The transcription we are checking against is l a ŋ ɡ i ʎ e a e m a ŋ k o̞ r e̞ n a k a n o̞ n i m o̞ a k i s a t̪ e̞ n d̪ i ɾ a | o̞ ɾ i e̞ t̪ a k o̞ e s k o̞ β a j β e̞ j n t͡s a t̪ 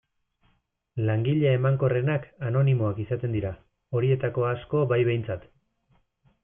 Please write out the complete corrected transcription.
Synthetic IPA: l a ŋ ɡ i ʎ e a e m a ŋ k o̞ r e̞ n a k a n o̞ n i m o̞ a k i s a t̪ e̞ n d̪ i ɾ a | o̞ ɾ i e̞ t̪ a k o̞ a s k o̞ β a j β e̞ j n t͡s a t̪